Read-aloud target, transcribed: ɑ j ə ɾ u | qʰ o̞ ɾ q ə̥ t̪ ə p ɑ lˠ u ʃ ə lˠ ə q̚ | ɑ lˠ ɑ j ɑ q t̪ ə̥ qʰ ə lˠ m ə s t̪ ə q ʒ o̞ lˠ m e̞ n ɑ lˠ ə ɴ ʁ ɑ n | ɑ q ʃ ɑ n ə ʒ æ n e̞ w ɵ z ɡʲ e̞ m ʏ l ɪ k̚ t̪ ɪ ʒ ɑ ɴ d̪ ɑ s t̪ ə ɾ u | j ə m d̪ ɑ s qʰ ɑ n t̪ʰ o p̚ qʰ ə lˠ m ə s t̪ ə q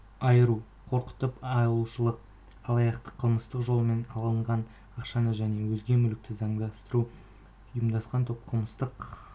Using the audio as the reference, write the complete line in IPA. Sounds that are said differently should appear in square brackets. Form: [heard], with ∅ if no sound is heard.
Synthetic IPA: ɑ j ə ɾ u | qʰ o̞ ɾ q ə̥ t̪ ə p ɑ lˠ u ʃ ə lˠ ə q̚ | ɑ lˠ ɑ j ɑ q t̪ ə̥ qʰ ə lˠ m ə s t̪ ə q ʒ o̞ lˠ m e̞ n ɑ lˠ ə ɴ ʁ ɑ n | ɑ q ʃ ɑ n ə ʒ æ n e̞ w ɵ z ɡʲ e̞ m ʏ l ɪ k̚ t̪ ɪ [z] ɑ ɴ d̪ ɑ s t̪ ə ɾ u | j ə m d̪ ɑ s [q] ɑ n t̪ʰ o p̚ qʰ ə lˠ m ə s t̪ ə q